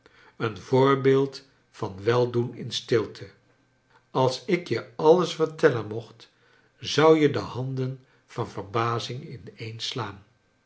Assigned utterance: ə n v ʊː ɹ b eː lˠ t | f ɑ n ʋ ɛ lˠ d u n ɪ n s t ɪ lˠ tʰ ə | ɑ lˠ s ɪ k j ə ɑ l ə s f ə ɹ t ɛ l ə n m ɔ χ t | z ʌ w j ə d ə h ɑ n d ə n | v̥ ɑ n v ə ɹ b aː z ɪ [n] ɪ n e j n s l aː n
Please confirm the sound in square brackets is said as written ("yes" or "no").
no